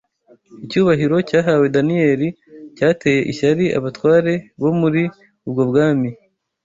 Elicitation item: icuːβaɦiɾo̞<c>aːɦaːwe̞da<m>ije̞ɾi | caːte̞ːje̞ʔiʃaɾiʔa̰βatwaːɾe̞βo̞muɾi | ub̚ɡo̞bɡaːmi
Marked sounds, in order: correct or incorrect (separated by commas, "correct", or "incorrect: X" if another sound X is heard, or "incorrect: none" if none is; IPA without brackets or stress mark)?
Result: correct, incorrect: n